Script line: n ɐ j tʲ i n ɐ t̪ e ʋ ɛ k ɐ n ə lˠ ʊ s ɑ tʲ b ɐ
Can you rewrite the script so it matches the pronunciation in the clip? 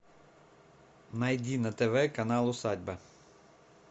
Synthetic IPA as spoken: n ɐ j dʲ i n ɐ t̪ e ʋ ɛ k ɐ n ɑ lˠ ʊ s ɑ dʲ b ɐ